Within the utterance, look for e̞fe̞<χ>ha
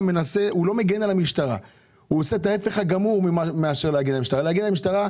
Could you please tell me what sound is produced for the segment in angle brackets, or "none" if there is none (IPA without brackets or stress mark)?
χ